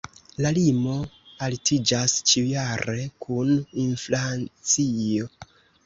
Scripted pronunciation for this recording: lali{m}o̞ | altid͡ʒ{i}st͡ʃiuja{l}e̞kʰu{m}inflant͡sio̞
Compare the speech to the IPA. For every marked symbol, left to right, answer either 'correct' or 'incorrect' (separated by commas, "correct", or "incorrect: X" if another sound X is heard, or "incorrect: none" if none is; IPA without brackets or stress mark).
correct, incorrect: a, incorrect: ɾ, incorrect: n